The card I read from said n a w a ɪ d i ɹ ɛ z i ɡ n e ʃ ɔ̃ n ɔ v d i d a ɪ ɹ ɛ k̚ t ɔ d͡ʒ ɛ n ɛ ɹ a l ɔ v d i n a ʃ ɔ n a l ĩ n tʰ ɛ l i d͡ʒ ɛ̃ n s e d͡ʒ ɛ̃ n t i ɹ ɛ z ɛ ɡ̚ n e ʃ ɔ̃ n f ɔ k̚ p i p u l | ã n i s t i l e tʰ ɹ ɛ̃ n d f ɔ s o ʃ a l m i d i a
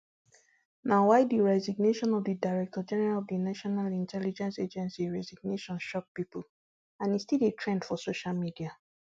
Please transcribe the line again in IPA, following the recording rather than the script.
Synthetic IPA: n a w a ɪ d i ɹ ɛ z i ɡ n e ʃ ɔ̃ n ɔ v d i d a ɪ ɹ ɛ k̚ t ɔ d͡ʒ ɛ n ɛ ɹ a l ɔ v d i n a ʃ ɔ n a l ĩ n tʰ ɛ l i d͡ʒ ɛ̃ n s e d͡ʒ ɛ̃ n s i ɹ ɛ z i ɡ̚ n e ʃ ɔ̃ n ʃ ɔ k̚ p i p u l | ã n i s t i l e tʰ ɹ ɛ̃ n d f ɔ s o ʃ a l m i d i a